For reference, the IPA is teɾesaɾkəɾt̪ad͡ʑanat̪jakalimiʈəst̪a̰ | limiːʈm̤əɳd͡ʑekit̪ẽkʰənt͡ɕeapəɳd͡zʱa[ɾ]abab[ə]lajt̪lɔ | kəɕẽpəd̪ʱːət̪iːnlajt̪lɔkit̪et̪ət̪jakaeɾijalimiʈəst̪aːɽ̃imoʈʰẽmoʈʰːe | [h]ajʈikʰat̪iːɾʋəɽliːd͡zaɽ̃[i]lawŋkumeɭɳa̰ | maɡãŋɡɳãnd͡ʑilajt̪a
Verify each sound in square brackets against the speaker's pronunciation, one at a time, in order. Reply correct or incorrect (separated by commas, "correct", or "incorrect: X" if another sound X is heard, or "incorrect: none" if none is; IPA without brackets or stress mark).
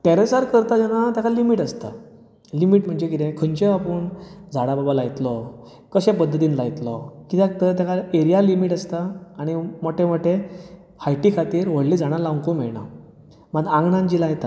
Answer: incorrect: ɽ, incorrect: a, correct, incorrect: a